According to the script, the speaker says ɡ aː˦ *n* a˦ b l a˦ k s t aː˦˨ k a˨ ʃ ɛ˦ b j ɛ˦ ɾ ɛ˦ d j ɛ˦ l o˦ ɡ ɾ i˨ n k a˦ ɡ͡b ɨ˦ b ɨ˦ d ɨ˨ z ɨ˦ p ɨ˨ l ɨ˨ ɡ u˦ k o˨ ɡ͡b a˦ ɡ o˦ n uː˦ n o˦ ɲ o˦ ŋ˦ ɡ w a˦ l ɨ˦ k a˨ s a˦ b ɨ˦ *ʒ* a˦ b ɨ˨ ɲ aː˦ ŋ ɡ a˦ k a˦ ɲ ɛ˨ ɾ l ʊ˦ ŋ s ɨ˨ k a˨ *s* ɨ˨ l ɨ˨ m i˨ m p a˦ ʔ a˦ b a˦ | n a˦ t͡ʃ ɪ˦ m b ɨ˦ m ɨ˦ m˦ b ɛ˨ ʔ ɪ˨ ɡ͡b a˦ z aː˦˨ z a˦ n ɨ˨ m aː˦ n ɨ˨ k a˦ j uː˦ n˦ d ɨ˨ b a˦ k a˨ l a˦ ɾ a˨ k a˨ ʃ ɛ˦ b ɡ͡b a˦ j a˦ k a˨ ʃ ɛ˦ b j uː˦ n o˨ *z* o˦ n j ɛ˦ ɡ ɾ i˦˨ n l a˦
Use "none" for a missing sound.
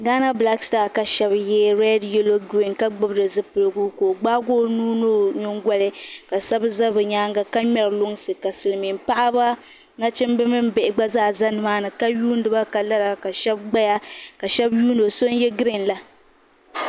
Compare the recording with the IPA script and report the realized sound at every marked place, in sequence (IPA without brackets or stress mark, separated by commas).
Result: n, z, s, s